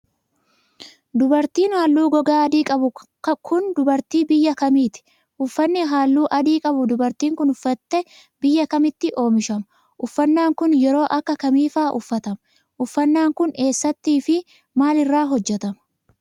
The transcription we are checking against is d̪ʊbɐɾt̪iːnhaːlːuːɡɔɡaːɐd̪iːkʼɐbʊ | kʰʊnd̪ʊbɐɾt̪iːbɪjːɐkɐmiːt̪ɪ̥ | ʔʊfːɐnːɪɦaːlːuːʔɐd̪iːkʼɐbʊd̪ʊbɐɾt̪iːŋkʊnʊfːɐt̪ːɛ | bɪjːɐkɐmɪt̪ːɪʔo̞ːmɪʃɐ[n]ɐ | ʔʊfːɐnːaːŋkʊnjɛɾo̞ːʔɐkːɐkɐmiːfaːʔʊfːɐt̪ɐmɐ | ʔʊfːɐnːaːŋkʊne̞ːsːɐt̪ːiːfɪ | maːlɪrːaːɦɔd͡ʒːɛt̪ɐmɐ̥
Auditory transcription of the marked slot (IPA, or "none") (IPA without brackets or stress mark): m